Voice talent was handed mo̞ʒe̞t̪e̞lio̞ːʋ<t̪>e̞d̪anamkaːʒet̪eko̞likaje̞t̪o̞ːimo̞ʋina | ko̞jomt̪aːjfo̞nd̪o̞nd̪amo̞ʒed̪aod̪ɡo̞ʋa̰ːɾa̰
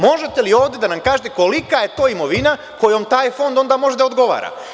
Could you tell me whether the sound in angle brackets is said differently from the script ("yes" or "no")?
yes